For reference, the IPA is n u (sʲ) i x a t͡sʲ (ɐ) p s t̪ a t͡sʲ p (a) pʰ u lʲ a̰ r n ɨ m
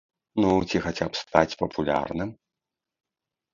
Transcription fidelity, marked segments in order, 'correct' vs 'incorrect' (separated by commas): incorrect, incorrect, incorrect